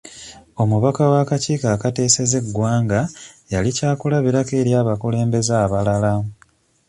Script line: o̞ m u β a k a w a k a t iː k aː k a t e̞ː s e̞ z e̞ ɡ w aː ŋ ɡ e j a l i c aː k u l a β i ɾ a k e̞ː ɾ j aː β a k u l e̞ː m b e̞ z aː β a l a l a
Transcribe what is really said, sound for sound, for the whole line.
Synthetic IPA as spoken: o̞ m u β a k a w a k a c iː k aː k a t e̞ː s e̞ z e̞ ɡ w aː ŋ ɡ a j a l i c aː k u l a β i ɾ a k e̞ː ɾ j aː β a k u l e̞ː m b e̞ z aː β a l a l a